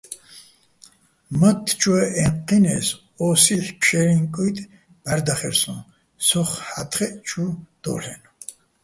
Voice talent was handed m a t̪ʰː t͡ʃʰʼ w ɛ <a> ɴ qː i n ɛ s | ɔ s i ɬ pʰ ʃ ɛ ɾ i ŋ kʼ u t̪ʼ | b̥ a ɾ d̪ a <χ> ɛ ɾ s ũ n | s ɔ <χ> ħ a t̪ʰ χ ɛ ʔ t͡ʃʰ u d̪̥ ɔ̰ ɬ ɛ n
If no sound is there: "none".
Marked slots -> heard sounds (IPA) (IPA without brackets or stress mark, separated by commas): ɛ, χ, χ